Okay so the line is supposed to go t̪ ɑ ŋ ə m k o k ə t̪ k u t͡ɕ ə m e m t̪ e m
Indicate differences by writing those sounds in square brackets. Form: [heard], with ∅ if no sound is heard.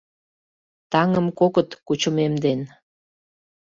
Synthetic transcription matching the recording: t̪ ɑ ŋ ə m k o k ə t̪ k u t͡ɕ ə m e m [d̪] e [n]

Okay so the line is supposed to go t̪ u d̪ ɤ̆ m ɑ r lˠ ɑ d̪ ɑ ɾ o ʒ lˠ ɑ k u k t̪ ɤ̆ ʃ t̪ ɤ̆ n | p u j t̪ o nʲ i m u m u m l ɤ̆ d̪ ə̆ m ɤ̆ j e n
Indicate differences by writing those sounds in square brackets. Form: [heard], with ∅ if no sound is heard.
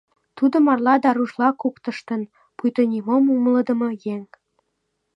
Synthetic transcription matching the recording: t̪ u d̪ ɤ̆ m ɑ r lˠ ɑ d̪ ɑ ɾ [u] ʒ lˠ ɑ k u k t̪ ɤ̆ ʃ t̪ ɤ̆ n | p u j t̪ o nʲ i m [o] m u m l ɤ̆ d̪ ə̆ m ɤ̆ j e [ŋ]

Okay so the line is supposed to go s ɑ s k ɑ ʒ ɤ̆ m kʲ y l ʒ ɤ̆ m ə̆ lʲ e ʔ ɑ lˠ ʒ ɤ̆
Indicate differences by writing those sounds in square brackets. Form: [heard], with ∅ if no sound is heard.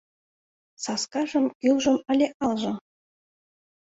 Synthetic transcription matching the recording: s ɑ s k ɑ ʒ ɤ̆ m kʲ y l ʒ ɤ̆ m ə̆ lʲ e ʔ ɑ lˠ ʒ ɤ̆

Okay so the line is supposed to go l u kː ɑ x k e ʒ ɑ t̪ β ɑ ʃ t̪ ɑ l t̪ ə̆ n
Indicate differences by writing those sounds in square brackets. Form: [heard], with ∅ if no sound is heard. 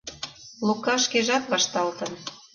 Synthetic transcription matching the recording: l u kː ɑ [ʃ] k e ʒ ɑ t̪ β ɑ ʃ t̪ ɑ l t̪ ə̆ n

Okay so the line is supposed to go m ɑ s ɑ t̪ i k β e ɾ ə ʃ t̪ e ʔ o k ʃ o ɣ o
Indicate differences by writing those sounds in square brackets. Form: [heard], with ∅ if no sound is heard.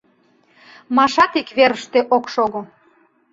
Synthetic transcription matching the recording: m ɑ [ʃ] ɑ t̪ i k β e ɾ ə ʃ t̪ e ʔ o k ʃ o ɣ o

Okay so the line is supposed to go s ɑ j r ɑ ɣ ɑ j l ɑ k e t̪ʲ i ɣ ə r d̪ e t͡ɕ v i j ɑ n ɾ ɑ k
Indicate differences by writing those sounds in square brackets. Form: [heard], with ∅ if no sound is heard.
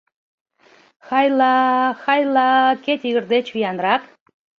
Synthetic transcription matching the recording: [x] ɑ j [l] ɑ [x] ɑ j l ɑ k e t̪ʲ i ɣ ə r d̪ e t͡ɕ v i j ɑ n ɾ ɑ k

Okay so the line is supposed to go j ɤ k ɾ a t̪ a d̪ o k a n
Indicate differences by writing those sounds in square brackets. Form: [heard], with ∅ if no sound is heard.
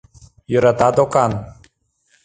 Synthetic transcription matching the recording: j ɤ [∅] ɾ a t̪ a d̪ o k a n

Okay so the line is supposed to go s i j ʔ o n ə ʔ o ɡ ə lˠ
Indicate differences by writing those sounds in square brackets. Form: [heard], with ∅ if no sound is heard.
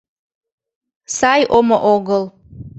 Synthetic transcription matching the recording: s [a] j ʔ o [m] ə ʔ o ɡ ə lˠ

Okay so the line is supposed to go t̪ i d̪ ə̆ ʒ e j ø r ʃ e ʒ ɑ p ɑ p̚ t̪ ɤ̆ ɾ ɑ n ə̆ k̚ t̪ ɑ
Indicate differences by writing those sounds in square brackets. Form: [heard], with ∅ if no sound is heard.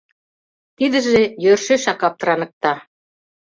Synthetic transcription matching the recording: t̪ i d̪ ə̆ ʒ e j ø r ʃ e [ʃ] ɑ [k] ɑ p̚ t̪ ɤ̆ ɾ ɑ n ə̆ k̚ t̪ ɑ

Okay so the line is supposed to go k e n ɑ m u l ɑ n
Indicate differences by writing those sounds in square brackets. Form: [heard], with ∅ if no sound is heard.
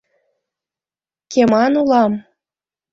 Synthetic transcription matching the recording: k e [m] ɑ [n] u l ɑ [m]

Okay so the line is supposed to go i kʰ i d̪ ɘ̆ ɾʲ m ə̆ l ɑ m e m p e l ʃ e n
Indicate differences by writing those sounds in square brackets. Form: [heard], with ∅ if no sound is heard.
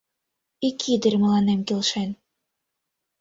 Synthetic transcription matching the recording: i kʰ i d̪ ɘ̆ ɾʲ m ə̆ l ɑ [n] e m [k] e l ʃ e n

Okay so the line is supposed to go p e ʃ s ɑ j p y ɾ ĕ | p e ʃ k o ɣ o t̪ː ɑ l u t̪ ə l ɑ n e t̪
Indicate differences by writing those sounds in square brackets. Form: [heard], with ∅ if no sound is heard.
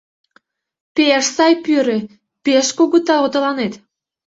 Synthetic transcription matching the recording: p e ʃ s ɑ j p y ɾ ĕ | p e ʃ k o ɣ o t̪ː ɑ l [o] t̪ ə l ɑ n e t̪

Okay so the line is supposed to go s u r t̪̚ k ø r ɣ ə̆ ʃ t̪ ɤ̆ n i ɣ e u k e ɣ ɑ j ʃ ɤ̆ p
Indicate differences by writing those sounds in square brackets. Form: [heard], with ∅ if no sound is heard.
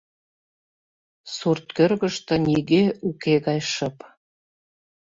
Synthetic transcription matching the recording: s u r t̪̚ k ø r ɣ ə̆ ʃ t̪ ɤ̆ n i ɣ e u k e ɣ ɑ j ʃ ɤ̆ p

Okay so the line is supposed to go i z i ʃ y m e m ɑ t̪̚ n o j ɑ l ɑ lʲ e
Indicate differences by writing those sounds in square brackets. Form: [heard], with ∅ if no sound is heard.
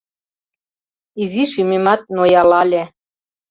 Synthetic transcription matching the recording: i z i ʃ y m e m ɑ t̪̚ n o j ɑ l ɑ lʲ e

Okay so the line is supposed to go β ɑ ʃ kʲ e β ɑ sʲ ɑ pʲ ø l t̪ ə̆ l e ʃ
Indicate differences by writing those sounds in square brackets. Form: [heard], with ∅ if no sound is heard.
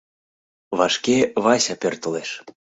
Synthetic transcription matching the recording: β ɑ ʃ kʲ e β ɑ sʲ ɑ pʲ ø [r] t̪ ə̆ l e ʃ

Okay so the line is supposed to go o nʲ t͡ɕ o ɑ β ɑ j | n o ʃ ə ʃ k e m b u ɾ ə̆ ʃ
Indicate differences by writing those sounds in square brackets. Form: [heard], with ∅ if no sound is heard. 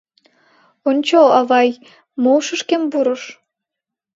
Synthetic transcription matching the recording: o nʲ t͡ɕ o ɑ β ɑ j | [m] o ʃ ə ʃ k e m b u ɾ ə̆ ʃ

